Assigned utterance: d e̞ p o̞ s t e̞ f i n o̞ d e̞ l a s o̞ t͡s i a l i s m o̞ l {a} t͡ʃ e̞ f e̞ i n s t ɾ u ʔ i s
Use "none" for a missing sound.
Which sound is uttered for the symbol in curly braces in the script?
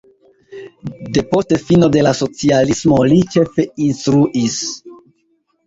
i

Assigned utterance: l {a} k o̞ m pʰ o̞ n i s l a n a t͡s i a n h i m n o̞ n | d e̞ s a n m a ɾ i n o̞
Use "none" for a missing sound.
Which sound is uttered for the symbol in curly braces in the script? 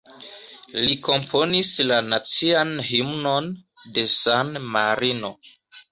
i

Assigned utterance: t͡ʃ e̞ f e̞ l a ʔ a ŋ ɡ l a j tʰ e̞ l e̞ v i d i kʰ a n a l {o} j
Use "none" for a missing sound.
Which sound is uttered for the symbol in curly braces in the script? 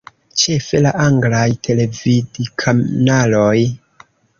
o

